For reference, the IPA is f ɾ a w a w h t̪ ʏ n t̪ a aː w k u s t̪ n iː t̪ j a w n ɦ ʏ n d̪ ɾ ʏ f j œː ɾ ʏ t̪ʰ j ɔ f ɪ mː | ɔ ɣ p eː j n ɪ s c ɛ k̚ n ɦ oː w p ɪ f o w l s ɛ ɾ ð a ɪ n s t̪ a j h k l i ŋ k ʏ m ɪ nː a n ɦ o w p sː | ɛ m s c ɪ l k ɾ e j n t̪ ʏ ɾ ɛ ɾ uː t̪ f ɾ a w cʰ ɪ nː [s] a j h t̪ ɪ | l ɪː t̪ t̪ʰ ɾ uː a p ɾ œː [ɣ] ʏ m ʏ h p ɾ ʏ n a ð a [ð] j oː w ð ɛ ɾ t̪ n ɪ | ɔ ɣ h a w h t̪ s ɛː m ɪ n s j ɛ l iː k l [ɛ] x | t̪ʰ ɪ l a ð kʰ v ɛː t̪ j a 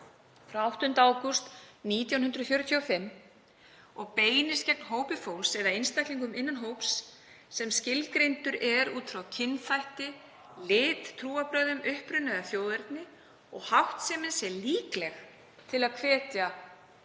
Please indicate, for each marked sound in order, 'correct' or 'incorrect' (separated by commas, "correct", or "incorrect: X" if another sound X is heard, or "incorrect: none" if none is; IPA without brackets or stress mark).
incorrect: θ, incorrect: ð, incorrect: θ, correct